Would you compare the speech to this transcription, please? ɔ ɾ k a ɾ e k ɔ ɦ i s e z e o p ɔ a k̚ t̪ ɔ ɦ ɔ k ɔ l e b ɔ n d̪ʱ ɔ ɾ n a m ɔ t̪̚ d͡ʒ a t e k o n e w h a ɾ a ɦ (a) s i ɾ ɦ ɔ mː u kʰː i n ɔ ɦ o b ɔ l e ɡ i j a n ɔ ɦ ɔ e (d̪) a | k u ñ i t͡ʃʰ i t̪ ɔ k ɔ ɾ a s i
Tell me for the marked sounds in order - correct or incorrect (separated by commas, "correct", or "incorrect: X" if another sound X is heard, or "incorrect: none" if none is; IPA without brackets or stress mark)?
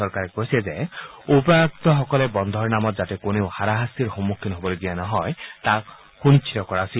correct, incorrect: t̪